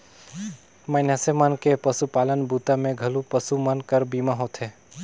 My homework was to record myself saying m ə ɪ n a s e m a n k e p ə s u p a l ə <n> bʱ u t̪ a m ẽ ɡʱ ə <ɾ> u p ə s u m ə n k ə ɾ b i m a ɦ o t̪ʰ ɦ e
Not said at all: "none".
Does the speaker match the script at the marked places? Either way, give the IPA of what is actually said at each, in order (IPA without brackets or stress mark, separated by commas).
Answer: n, l